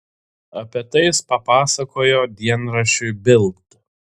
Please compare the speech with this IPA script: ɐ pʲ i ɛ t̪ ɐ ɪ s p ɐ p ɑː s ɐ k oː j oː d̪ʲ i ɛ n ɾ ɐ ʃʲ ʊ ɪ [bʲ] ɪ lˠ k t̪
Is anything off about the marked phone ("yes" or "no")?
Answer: no